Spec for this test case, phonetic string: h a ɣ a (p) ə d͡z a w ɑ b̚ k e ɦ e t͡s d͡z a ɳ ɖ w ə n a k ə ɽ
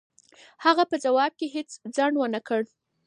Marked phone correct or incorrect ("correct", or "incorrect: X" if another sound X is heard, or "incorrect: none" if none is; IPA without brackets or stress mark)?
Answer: correct